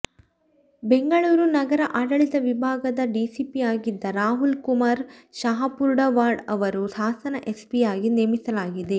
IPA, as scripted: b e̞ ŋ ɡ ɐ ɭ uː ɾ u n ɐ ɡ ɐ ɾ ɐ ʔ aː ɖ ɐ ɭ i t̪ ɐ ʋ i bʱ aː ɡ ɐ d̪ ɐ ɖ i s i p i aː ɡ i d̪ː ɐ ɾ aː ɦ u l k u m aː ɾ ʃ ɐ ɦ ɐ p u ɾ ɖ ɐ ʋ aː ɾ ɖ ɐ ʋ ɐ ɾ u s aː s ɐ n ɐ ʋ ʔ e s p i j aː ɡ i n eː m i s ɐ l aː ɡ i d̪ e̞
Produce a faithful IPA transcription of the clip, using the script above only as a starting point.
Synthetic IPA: b e̞ ŋ ɡ ɐ ɭ uː ɾ u n ɐ ɡ ɐ ɾ ɐ ʔ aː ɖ ɐ ɭ i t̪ ɐ ʋ i bʱ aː ɡ ɐ d̪ ɐ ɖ i s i p i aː ɡ i d̪ː ɐ ɾ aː ɦ u l k u m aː ɾ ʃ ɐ ɦ ɐ p u ɾ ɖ ɐ ʋ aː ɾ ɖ ɐ ʋ ɐ ɾ u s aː s ɐ n ɐ ʔ e s p i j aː ɡ i n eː m i s ɐ l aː ɡ i d̪ e̞